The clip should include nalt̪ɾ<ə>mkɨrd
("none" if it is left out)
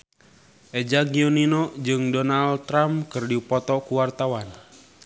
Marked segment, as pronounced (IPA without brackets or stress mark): a